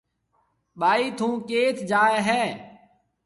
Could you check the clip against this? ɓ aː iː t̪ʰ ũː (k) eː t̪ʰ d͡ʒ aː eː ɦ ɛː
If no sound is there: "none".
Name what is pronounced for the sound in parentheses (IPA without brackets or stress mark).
k